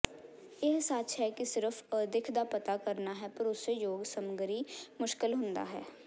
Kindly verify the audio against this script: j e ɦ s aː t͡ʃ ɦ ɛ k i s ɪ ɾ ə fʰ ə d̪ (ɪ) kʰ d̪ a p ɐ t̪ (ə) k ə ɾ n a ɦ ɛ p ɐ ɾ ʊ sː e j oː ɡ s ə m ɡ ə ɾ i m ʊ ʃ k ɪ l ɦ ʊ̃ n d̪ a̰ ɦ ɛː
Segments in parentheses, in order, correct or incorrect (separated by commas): correct, incorrect